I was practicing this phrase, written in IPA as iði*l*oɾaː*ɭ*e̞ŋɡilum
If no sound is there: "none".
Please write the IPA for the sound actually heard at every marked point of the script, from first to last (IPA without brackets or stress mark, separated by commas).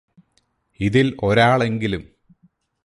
l, ɭ